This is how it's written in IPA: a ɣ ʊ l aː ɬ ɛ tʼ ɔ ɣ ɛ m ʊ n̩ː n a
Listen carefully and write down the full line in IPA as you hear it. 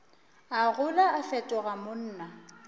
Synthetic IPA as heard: a ɣ ʊ l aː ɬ ɛ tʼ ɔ ɣ a m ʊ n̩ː n a